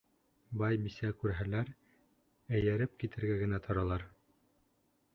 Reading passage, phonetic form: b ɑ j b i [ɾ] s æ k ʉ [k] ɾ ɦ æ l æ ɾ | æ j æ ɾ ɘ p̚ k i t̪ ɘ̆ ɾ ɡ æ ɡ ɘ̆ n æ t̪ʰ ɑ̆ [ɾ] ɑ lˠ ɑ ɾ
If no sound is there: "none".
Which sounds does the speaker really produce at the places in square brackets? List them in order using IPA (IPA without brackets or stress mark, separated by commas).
none, none, ɾ